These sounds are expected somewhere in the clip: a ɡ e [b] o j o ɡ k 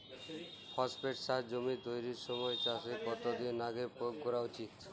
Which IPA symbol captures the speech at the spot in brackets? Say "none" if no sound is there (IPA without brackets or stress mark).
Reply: p